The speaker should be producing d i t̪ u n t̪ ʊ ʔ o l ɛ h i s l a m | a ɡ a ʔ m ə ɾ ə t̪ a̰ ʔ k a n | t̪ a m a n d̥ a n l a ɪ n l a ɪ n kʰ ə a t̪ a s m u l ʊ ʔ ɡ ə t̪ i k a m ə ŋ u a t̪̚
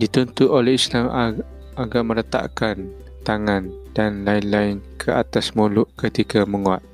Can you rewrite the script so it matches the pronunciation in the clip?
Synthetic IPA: d i t̪ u n t̪ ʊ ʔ o l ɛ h i s l a m | a ɡ a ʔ m ə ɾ ə t̪ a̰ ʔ k a n | t̪ a ŋ a n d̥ a n l a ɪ n l a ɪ n kʰ ə a t̪ a s m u l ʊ ʔ k ə t̪ i k a m ə ŋ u a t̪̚